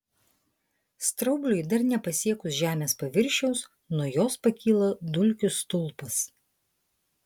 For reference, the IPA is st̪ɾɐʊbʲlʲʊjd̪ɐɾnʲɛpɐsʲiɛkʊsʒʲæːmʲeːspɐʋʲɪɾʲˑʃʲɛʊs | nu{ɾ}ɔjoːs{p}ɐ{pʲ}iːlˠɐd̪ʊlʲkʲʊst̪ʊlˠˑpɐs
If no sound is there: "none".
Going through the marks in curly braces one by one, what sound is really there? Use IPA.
none, p, kʲ

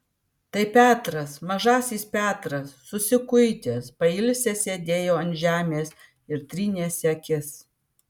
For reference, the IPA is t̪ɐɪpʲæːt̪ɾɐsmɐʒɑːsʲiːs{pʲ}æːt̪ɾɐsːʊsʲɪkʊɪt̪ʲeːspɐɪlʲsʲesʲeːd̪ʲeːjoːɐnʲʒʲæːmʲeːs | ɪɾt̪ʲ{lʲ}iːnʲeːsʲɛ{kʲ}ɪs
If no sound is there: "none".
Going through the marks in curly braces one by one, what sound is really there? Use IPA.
pʲ, ɾʲ, kʲ

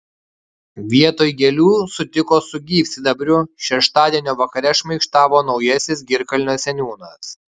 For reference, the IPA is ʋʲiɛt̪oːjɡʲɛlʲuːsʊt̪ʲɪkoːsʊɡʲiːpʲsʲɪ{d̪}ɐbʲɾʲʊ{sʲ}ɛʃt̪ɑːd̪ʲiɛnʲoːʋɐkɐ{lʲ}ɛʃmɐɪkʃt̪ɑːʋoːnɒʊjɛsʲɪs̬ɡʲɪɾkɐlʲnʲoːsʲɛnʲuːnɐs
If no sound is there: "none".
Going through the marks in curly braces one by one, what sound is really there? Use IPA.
d̪, ʃʲ, ɾʲ

